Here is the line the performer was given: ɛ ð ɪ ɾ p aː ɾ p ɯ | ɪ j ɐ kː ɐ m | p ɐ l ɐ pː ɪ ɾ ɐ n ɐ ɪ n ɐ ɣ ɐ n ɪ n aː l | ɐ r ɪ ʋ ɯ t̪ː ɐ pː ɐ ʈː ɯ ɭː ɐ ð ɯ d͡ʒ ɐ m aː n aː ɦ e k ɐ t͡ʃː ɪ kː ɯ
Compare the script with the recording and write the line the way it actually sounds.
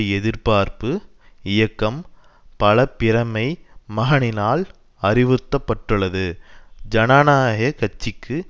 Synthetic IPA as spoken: ɛ ð ɪ ɾ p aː ɾ p ɯ | ɪ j ɐ kː ɐ m | p ɐ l ɐ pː ɪ ɾ ɐ m ɐ ɪ m ɐ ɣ ɐ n ɪ n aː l | ɐ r ɪ ʋ ɯ t̪ː ɐ pː ɐ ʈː ɯ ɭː ɐ ð ɯ d͡ʒ ɐ n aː n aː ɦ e k ɐ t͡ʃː ɪ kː ɯ

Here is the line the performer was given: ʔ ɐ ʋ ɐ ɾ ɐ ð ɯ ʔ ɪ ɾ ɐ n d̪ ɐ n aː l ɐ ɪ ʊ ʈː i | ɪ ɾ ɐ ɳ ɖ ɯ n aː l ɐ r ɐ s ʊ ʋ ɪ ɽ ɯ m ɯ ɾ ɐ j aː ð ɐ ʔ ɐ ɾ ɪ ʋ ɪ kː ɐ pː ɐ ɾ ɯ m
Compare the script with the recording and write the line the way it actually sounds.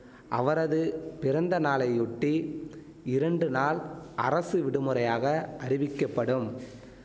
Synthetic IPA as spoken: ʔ ɐ ʋ ɐ ɾ ɐ ð ɯ p ɪ ɾ ɐ n d̪ ɐ n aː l ɐ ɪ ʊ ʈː i | ɪ ɾ ɐ ɳ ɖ ɯ n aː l ɐ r ɐ s ɯ ʋ ɪ ɽ ɯ m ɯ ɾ ɐ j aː ɣ ɐ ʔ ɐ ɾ ɪ ʋ ɪ kː ɐ pː ɐ ɽ ɯ m

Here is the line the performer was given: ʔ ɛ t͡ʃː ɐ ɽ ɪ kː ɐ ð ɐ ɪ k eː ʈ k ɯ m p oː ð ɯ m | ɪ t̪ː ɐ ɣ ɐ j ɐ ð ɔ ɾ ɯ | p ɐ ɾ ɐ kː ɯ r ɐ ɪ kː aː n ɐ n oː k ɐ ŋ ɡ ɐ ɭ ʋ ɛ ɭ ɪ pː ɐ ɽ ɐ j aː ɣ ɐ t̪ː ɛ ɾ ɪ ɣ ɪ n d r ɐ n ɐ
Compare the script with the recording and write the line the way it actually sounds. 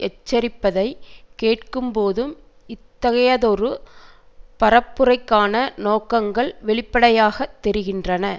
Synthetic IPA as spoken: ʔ ɛ t͡ʃː ɐ ɾ ɪ pː ɐ ð ɐ ɪ k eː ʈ k ɯ m p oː ð ɯ m | ɪ t̪ː ɐ ɣ ɐ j ɐ ð ɔ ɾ ɯ | p ɐ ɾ ɐ pː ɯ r ɐ ɪ kː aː n ɐ n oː k ɐ ŋ ɡ ɐ ɭ ʋ ɛ ɭ ɪ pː ɐ ɽ ɐ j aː ɣ ɐ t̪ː ɛ ɾ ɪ ɣ ɪ n d r ɐ n ɐ

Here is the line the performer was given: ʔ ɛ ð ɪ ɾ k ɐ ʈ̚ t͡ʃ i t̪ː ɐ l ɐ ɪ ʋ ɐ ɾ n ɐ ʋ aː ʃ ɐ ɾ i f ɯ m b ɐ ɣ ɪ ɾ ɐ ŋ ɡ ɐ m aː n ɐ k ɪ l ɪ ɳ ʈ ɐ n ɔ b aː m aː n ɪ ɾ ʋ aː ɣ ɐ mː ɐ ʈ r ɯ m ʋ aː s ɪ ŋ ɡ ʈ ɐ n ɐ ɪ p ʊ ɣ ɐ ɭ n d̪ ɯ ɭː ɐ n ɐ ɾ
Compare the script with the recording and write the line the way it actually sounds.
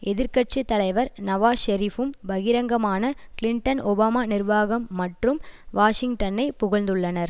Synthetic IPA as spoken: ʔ ɛ ð ɪ ɾ k ɐ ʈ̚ t͡ʃ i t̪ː ɐ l ɐ ɪ ʋ ɐ ɾ n ɐ ʋ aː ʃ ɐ ɾ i f ɯ m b ɐ ɣ ɪ ɾ ɐ ŋ ɡ ɐ m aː n ɐ k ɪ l ɪ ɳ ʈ ɐ n ɔ b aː m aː n ɪ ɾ ʋ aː ɣ ɐ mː ɐ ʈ r ɯ m ʋ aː ʂ ɪ ŋ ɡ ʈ ɐ n ɐ ɪ p ʊ ɣ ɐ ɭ n d̪ ɯ ɭː ɐ n ɐ ɾ

